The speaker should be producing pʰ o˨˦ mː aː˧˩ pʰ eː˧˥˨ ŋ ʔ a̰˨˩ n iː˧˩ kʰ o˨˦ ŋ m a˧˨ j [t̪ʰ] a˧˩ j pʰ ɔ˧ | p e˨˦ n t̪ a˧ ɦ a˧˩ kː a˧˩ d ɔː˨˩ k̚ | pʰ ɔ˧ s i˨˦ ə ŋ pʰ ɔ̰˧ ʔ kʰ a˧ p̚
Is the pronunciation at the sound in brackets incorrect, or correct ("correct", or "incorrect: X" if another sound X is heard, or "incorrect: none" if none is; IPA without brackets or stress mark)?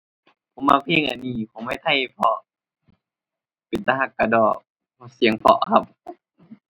correct